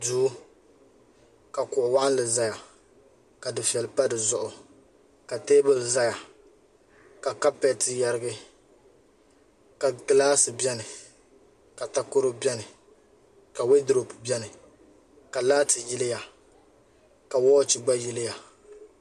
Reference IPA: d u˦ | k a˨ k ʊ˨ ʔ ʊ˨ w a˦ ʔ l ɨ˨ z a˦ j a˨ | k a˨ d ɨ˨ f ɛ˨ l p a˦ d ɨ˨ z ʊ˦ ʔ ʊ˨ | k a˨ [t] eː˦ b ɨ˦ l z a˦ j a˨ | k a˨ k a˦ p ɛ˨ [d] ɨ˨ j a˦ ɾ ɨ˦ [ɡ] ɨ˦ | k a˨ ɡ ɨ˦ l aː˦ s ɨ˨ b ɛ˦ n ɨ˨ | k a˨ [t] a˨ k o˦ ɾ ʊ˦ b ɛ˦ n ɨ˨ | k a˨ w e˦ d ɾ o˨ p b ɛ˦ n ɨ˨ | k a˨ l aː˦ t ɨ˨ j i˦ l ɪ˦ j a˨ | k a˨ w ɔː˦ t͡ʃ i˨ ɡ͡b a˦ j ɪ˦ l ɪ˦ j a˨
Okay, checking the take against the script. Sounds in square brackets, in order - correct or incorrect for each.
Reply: correct, incorrect: t, correct, correct

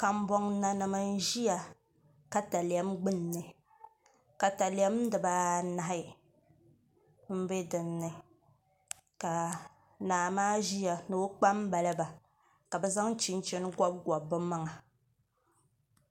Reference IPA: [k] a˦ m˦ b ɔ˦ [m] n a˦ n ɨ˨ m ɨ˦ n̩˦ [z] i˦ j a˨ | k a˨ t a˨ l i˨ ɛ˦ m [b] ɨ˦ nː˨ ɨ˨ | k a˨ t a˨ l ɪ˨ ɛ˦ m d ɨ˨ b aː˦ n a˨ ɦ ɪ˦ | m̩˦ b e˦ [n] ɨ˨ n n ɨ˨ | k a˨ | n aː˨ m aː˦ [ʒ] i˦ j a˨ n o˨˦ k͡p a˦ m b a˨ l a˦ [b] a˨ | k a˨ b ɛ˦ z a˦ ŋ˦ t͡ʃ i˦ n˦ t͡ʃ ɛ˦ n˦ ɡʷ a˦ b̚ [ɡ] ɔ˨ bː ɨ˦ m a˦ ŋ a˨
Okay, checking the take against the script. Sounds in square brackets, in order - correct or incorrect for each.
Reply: correct, incorrect: ŋ, incorrect: ʒ, incorrect: ɡ͡b, incorrect: d, correct, correct, correct

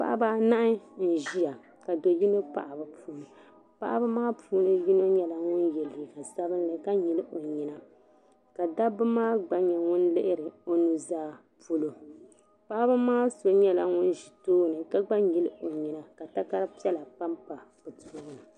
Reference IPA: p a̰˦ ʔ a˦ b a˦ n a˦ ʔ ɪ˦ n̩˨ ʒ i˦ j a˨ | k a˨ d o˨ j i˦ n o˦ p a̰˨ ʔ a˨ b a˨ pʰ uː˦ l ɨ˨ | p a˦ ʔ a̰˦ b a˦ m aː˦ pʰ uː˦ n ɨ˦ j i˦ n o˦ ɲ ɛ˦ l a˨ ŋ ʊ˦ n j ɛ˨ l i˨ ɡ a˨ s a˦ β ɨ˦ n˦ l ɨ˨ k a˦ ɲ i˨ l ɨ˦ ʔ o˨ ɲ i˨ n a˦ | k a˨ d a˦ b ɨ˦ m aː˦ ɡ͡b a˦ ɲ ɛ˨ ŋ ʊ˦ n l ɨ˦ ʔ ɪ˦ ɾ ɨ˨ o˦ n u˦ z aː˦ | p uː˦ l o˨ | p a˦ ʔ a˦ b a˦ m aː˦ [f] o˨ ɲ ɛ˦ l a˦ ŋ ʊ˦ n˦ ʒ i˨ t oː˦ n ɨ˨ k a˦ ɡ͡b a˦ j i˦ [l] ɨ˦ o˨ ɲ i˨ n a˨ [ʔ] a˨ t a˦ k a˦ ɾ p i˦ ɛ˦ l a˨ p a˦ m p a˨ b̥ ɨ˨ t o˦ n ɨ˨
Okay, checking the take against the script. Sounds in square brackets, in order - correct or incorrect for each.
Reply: incorrect: s, correct, incorrect: k

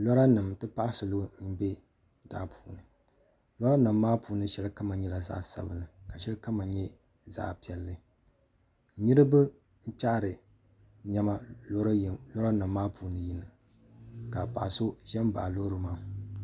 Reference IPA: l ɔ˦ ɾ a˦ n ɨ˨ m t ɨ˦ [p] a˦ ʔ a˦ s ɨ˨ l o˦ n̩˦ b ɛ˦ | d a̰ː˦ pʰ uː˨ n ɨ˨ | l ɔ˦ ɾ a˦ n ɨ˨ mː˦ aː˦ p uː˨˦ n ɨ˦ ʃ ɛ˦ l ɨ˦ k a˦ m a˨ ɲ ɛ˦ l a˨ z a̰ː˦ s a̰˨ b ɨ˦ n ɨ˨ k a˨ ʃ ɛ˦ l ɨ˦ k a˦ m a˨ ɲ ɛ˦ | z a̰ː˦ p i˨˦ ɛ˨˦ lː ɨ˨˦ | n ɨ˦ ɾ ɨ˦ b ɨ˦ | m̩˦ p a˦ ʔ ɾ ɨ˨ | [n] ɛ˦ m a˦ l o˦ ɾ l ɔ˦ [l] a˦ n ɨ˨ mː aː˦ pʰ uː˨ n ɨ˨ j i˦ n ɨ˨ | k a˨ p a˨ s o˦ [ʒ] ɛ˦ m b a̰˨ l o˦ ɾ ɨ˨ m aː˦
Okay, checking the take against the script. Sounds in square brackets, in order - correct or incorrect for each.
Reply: correct, incorrect: ɲ, incorrect: ɾ, correct

